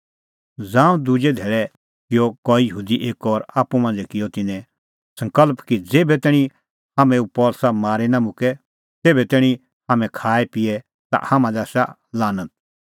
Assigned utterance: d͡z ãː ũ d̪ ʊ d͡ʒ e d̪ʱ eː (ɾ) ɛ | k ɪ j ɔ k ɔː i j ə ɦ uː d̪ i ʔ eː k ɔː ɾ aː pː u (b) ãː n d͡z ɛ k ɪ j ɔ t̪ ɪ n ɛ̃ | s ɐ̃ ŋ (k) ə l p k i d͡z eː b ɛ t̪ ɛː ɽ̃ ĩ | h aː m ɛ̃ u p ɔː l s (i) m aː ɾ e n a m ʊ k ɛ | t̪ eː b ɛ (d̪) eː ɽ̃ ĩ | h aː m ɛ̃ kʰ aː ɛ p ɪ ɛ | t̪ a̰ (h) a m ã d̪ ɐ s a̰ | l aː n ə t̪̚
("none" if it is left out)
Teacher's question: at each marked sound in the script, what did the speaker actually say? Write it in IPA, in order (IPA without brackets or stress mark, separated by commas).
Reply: ɭ, m, k, a, t̪, h